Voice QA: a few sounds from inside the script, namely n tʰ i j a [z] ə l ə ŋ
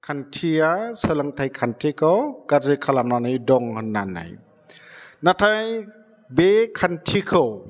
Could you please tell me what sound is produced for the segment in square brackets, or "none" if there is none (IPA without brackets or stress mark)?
s